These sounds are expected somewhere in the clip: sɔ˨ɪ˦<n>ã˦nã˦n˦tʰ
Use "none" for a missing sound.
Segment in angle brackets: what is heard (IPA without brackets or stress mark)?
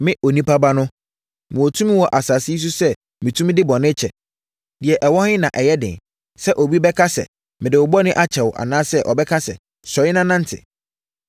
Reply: n